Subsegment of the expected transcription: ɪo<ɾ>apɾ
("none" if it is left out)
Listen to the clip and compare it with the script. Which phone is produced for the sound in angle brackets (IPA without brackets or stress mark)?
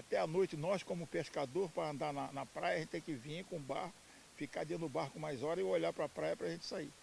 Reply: ʎ